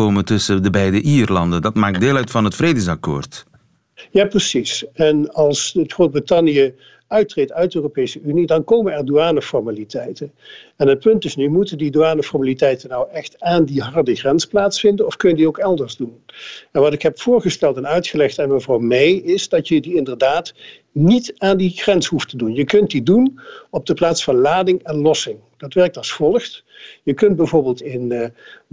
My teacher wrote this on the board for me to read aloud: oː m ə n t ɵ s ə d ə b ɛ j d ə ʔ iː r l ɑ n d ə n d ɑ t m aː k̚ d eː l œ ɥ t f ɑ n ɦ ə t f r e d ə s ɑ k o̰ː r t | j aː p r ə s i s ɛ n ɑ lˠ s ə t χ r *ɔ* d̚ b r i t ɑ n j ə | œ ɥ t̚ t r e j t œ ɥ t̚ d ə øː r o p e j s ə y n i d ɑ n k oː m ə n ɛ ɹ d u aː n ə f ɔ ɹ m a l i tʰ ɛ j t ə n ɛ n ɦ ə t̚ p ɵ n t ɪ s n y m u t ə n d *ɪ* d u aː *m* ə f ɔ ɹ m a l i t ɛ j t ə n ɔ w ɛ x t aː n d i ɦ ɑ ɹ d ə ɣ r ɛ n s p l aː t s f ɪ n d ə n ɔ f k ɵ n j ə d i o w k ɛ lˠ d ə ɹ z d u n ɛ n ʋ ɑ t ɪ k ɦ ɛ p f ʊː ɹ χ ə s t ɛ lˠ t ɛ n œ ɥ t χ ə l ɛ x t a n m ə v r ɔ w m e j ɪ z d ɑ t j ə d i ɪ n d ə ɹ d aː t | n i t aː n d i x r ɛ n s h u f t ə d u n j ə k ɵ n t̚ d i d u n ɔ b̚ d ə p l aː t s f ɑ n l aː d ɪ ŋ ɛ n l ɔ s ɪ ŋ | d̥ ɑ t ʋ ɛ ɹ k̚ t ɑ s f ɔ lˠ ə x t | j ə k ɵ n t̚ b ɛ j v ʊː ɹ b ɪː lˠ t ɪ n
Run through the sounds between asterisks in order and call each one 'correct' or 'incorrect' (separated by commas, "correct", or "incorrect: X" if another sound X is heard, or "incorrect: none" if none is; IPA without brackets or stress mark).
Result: incorrect: o, incorrect: i, incorrect: n